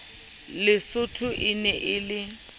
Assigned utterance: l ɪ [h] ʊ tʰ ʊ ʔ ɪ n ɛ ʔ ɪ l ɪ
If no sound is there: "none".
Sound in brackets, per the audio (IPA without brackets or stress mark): s